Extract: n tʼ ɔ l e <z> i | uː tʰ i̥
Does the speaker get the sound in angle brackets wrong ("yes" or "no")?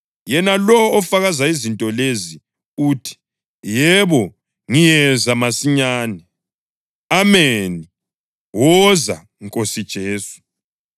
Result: no